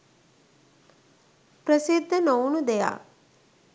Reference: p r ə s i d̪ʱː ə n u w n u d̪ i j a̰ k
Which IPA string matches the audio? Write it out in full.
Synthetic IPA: p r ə s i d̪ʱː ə n o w n u d̪ e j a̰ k